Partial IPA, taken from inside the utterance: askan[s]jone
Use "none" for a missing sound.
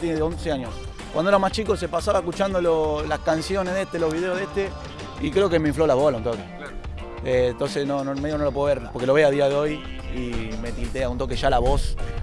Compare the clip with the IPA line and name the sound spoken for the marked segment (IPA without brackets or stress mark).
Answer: s